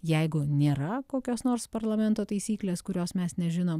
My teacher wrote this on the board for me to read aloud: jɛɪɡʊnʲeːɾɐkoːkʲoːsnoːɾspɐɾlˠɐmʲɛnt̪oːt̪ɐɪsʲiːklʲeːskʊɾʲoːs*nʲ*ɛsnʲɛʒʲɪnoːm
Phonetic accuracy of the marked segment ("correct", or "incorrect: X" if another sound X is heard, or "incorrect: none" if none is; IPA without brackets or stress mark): incorrect: mʲ